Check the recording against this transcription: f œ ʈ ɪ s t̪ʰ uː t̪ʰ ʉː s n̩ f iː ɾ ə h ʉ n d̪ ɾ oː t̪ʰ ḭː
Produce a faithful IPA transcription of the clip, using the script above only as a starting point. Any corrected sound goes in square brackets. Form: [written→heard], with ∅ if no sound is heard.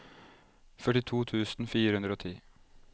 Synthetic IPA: f œ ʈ ɪ [s→∅] t̪ʰ uː t̪ʰ ʉː s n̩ f iː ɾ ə h ʉ n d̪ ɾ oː t̪ʰ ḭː